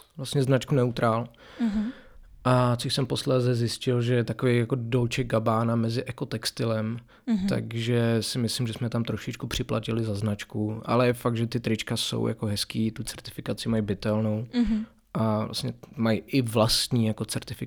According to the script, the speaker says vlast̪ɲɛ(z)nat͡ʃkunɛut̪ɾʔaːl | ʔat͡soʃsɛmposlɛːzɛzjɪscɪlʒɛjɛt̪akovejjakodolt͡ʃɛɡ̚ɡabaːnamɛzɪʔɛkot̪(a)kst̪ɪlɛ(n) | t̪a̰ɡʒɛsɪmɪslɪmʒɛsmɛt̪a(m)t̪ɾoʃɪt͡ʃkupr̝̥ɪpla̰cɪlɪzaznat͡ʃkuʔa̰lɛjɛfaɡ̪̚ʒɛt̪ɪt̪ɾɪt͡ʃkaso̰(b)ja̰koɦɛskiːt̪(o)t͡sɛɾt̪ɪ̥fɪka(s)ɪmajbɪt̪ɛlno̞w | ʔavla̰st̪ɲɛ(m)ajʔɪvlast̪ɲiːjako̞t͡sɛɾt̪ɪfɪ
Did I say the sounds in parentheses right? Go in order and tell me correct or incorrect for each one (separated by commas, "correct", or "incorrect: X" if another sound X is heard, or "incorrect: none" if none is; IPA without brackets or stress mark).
correct, incorrect: ɛ, incorrect: m, correct, incorrect: w, incorrect: u, incorrect: t͡s, correct